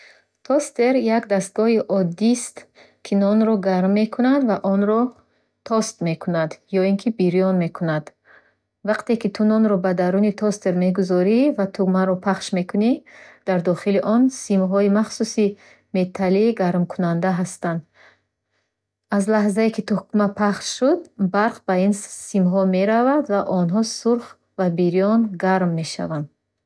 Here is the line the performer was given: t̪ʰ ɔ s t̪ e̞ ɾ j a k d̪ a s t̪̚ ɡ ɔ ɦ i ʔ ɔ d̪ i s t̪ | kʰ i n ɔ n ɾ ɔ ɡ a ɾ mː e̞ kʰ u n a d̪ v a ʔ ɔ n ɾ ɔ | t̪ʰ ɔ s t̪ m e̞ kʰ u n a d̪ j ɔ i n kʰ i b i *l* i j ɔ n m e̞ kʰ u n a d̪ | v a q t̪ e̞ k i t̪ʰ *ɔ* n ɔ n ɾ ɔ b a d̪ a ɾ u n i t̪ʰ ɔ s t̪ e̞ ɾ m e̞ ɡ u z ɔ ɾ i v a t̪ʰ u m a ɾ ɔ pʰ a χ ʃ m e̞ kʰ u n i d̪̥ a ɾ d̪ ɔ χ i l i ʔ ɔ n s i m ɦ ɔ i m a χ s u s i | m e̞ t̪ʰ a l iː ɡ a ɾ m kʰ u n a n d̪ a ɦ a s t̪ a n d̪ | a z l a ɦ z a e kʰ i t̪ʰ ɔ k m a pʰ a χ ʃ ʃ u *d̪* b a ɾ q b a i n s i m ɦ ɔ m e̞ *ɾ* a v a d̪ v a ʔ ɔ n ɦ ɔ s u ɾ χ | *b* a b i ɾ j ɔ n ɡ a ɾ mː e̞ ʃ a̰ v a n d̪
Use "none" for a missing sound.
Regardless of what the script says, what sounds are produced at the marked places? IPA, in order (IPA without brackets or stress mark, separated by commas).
ɾ, u, d̪, ɾ, v